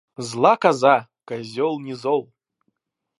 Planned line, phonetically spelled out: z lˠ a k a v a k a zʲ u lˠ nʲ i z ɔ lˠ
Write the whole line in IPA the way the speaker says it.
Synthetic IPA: z lˠ a k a z a k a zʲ ɔ lˠ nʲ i z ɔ lˠ